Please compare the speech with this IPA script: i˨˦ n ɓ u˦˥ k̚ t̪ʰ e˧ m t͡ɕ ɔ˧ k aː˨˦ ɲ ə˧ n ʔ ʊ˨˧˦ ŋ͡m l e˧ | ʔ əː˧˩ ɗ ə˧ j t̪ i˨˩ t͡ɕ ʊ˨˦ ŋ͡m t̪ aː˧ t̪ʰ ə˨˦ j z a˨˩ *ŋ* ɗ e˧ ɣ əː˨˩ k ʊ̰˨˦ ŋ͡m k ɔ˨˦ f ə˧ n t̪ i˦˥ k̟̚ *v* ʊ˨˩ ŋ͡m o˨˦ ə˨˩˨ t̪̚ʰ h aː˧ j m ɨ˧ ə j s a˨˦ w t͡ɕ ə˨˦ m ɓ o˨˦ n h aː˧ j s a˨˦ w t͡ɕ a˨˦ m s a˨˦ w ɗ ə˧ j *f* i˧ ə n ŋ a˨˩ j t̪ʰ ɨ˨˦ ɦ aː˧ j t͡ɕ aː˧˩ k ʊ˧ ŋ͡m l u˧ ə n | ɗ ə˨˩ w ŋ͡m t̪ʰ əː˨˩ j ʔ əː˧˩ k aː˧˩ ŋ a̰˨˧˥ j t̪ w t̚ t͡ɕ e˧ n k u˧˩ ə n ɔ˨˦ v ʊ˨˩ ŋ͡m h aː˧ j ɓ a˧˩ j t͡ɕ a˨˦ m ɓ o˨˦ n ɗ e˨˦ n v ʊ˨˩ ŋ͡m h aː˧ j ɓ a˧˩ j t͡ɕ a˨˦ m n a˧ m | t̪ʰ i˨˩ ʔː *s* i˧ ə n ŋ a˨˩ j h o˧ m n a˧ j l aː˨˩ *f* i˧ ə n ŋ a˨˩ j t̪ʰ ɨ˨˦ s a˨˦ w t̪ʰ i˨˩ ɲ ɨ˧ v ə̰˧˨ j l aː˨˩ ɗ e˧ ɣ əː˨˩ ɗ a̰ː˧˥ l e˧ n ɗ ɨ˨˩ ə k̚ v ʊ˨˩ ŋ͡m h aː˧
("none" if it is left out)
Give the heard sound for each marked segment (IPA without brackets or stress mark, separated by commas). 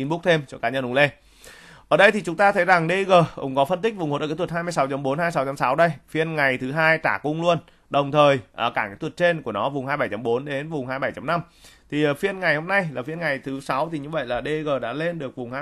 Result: ŋ, v, f, f, f